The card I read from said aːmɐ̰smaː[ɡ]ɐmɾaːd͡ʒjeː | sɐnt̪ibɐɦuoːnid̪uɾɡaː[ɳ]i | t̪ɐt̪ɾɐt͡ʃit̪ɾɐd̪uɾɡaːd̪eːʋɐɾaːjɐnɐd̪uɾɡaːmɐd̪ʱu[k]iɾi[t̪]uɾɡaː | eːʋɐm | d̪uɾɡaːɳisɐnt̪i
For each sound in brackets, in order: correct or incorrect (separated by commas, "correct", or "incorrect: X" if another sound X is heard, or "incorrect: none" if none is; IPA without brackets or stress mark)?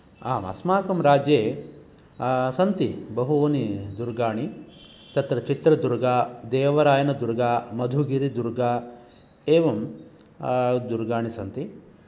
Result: incorrect: k, correct, incorrect: ɡ, incorrect: d̪